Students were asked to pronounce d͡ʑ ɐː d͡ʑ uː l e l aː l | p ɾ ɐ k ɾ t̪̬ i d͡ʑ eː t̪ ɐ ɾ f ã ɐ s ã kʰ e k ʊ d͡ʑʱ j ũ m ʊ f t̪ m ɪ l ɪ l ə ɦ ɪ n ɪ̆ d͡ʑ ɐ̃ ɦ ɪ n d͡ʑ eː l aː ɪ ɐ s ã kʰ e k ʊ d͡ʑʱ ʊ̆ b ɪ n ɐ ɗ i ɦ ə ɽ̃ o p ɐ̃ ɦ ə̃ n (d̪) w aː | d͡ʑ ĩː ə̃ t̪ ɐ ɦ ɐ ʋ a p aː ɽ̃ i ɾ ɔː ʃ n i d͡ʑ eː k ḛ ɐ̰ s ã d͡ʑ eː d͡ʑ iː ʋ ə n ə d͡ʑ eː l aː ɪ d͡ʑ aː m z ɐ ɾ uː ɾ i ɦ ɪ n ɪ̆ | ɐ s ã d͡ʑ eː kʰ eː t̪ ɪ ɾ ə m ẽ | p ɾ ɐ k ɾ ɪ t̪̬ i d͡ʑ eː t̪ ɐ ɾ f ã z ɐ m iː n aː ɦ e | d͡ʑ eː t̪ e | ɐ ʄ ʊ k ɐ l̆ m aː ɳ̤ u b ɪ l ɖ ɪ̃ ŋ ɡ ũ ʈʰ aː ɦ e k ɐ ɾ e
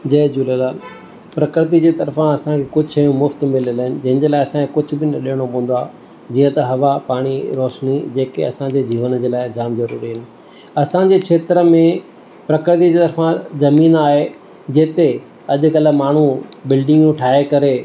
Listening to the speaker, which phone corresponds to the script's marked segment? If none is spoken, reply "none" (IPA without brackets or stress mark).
d̪